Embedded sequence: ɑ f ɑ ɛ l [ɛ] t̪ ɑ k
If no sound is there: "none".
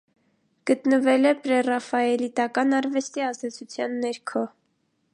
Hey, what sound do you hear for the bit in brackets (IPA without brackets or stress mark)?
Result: i